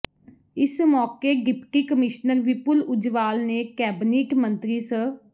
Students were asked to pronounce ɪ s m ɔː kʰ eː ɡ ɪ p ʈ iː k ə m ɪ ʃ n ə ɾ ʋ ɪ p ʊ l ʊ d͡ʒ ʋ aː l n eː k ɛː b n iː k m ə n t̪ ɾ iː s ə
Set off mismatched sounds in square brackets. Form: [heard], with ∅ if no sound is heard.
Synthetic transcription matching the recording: ɪ s m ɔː [k] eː ɡ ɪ p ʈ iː k ə m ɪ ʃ n ə ɾ ʋ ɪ p ʊ l ʊ d͡ʒ ʋ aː l n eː k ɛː b n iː k m ə n t̪ ɾ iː s ə